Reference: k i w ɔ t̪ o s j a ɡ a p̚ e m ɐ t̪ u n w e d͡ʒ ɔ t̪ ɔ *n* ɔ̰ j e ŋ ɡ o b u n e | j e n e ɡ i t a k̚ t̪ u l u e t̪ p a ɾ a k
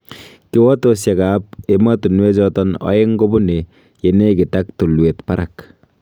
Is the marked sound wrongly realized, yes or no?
no